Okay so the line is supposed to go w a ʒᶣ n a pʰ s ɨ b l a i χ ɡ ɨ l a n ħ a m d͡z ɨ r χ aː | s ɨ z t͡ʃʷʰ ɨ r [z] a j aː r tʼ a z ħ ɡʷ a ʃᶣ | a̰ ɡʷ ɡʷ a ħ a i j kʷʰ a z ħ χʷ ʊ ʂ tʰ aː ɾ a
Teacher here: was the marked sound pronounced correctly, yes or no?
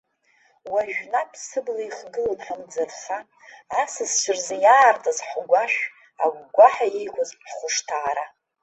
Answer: yes